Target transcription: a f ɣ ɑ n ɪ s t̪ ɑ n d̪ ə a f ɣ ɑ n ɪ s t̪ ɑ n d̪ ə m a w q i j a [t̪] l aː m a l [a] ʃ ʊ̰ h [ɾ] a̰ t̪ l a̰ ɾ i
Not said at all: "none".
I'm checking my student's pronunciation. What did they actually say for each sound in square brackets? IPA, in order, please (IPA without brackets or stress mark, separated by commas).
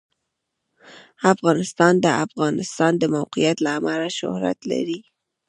t̪, a, ɾ